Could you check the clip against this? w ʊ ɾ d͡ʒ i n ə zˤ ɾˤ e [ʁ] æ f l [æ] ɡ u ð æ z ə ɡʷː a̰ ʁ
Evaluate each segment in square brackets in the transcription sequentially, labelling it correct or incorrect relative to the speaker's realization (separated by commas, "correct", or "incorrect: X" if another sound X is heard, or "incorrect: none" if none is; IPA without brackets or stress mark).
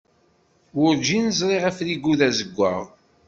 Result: correct, incorrect: i